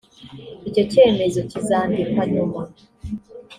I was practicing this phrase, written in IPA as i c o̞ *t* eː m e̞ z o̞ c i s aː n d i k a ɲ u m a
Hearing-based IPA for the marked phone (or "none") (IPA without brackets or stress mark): c